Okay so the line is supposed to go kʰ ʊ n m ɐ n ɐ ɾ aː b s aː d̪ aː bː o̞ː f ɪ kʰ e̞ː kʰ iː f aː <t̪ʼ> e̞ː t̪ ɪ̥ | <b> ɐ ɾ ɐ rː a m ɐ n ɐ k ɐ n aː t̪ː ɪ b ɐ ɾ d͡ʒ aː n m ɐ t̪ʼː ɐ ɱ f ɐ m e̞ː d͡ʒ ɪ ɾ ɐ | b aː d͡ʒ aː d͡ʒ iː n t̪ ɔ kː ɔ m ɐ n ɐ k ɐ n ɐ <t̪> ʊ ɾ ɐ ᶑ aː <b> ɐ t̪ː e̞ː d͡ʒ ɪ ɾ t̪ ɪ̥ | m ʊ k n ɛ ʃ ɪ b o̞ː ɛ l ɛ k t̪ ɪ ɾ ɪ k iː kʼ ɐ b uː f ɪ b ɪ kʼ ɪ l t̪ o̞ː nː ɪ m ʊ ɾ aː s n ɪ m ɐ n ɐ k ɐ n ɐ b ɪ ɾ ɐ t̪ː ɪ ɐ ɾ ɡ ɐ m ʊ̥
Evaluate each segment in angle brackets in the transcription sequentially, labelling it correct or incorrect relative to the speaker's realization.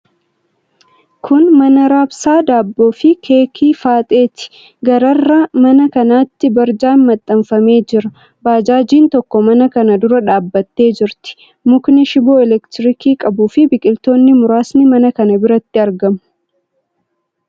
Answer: correct, incorrect: ɡ, incorrect: d̪, incorrect: bː

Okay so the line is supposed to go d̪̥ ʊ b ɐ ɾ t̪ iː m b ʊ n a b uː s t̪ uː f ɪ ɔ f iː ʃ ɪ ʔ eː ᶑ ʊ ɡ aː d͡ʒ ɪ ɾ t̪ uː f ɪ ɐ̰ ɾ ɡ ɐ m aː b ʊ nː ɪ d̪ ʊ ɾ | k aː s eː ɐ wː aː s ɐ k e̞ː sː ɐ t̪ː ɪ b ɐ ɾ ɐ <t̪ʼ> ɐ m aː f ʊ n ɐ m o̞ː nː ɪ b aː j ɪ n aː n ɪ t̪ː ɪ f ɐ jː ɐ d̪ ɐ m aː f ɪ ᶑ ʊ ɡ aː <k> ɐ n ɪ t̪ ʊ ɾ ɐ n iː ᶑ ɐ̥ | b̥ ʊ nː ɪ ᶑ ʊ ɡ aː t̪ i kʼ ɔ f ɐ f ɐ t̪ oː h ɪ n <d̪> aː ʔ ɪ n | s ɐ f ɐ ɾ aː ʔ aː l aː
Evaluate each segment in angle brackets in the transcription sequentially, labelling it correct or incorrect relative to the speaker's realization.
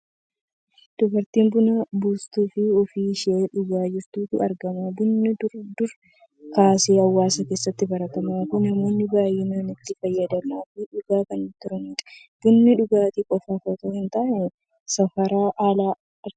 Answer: incorrect: t̪, correct, incorrect: t̪

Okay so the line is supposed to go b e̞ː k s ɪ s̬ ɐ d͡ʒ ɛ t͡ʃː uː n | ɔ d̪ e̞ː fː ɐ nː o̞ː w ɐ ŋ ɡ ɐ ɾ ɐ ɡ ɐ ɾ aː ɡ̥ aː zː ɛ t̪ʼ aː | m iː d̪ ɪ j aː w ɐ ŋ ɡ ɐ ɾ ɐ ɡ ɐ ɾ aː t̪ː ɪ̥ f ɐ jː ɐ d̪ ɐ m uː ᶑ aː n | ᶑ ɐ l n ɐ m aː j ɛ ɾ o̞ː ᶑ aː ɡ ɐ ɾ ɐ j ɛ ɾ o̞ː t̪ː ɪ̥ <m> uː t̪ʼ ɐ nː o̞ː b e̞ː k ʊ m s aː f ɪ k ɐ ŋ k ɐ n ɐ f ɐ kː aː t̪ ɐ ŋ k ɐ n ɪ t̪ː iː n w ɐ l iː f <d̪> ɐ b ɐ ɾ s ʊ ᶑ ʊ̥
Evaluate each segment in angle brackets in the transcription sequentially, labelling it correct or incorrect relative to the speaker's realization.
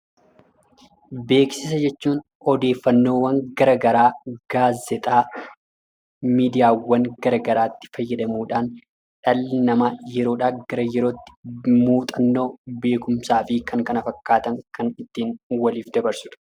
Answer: correct, correct

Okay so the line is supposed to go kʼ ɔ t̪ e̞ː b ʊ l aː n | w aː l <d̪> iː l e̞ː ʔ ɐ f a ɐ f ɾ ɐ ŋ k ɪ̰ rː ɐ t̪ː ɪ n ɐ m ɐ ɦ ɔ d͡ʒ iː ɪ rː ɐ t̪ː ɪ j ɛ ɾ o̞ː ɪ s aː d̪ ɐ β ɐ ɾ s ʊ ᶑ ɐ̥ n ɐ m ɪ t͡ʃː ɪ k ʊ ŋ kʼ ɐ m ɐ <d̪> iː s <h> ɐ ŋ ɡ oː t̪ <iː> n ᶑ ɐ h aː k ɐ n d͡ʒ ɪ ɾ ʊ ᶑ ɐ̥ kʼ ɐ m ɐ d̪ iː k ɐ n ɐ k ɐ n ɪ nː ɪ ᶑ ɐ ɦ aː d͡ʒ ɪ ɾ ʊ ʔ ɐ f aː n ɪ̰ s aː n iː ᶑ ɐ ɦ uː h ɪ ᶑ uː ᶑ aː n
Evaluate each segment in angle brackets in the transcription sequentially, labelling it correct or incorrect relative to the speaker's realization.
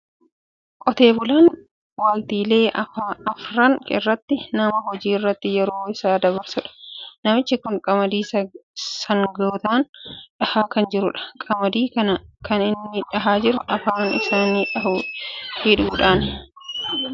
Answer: incorrect: t̪, correct, incorrect: s, incorrect: aː

